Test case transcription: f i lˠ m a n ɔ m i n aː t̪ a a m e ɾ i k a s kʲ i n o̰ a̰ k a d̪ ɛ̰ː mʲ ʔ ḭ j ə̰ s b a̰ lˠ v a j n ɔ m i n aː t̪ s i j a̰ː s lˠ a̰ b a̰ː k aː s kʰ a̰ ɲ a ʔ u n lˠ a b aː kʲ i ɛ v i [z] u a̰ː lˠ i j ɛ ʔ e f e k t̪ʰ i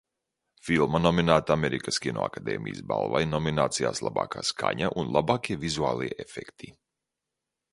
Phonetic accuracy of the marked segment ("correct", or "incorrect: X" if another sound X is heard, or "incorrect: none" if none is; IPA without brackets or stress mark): correct